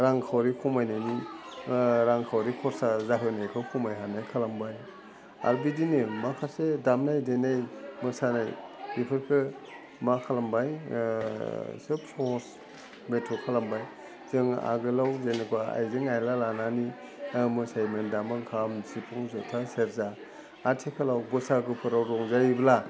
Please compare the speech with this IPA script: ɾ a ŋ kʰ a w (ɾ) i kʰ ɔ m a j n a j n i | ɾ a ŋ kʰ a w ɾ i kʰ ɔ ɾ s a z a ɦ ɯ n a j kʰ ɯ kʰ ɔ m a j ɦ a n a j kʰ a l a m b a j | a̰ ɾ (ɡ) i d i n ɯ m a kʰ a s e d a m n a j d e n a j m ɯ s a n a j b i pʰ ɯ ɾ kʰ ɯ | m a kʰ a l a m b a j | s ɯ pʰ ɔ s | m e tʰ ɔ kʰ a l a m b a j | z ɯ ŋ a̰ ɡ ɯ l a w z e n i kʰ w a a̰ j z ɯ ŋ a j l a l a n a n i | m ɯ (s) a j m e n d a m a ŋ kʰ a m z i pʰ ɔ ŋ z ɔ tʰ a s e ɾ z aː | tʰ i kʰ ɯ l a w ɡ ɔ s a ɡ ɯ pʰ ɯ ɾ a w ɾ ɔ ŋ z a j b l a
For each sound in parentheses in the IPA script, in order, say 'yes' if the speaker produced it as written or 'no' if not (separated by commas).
yes, no, yes